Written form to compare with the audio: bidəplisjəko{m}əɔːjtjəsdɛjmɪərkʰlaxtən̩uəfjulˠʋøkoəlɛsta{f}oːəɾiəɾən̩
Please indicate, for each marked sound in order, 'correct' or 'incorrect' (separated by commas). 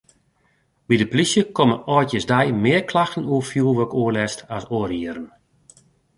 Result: correct, incorrect